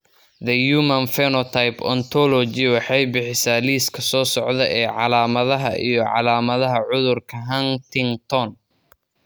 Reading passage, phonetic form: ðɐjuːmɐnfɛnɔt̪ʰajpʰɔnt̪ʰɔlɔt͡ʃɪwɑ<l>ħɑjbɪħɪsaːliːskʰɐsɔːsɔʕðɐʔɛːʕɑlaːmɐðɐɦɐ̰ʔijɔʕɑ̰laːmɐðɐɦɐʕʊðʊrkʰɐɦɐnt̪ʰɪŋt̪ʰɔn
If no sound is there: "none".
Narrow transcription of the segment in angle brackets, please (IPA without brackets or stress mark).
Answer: none